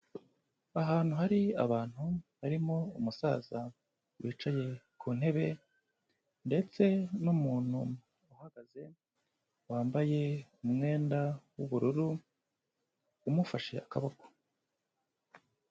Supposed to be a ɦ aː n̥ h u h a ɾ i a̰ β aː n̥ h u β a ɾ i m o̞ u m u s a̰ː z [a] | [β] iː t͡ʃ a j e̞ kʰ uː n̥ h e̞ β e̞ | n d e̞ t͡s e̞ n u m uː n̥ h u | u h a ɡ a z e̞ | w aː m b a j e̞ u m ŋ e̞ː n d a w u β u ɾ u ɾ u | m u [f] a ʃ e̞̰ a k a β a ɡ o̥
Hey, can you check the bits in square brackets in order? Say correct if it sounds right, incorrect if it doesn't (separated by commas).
correct, incorrect, correct